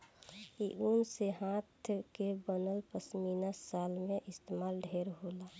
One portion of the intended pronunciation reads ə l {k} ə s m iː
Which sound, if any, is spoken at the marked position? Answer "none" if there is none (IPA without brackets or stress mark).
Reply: p